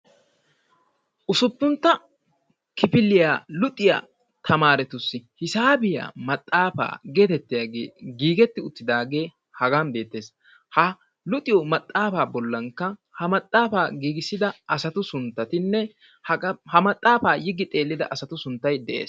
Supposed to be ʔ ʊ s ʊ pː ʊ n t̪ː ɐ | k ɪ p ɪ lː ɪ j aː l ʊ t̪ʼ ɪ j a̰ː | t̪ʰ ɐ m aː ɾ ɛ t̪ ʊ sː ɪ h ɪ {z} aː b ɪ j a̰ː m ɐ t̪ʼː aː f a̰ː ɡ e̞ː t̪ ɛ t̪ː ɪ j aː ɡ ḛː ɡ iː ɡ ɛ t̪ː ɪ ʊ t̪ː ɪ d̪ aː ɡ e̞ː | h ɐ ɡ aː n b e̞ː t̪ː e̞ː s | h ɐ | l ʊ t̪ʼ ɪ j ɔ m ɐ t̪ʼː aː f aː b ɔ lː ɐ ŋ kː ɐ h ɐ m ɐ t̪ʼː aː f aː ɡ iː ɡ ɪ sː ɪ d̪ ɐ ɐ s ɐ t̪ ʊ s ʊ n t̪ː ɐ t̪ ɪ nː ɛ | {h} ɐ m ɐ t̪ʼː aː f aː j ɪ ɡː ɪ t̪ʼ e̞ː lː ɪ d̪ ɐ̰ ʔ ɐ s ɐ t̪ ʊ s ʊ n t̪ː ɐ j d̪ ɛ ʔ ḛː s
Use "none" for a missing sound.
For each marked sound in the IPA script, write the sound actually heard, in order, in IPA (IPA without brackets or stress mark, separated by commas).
s, h